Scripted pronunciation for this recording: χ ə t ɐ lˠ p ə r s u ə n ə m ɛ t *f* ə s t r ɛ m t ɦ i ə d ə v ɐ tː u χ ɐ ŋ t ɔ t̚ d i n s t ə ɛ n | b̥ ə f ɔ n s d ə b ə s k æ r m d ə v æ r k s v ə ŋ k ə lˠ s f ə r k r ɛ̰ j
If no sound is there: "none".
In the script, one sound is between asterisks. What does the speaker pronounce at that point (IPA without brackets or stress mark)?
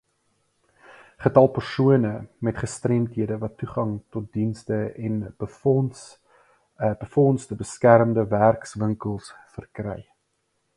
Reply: χ